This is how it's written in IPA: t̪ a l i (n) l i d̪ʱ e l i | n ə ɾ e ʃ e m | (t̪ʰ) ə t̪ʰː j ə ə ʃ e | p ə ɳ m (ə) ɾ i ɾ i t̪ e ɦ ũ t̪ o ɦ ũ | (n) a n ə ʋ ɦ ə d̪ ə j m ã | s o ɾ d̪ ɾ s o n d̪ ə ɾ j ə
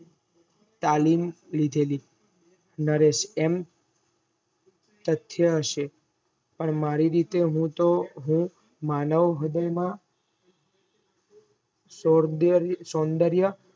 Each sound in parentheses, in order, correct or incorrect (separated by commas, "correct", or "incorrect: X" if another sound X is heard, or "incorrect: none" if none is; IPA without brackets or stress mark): incorrect: m, incorrect: t̪, incorrect: a, incorrect: m